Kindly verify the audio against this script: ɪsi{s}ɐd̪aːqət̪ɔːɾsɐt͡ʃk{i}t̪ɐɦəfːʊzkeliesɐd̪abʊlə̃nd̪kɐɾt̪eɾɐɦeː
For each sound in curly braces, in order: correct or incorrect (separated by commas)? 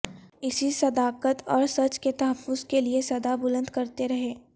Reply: correct, incorrect